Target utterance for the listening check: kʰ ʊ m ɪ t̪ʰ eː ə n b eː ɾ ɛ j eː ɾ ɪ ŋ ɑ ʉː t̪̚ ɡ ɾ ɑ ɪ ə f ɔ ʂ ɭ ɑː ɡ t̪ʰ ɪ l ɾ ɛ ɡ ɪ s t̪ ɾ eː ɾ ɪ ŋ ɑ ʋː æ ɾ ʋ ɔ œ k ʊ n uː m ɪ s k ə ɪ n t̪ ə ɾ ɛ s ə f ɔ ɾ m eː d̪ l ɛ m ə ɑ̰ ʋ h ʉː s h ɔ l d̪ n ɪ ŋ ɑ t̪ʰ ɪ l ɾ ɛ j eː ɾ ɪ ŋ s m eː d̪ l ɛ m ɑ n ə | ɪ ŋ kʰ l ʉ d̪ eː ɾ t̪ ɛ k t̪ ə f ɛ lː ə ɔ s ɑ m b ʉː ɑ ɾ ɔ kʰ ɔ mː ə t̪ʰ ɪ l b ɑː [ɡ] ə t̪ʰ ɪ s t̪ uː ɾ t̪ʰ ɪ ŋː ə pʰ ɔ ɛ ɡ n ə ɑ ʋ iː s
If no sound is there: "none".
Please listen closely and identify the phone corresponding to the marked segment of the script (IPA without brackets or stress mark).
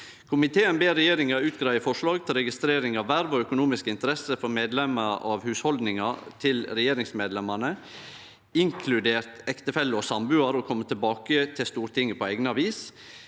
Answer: k